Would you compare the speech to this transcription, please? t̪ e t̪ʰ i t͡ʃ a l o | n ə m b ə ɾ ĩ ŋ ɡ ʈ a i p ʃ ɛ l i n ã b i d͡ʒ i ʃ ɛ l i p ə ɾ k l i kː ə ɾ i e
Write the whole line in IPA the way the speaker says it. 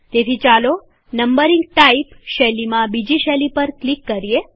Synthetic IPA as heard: t̪ e t̪ʰ i t͡ʃ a l o | n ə m b ə ɾ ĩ ŋ ɡ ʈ a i p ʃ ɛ l i m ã b i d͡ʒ i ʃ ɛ l i p ə ɾ k l i kː ə ɾ i e